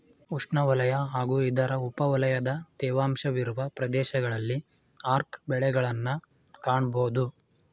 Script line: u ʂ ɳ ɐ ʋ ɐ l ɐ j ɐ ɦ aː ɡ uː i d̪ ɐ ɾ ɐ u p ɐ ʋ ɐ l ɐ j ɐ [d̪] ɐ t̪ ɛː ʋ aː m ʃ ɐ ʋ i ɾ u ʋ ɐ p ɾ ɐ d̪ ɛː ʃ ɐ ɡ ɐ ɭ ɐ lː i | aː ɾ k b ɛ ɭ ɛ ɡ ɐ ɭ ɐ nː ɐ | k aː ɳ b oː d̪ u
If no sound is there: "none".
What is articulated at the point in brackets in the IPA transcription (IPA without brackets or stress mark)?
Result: d̪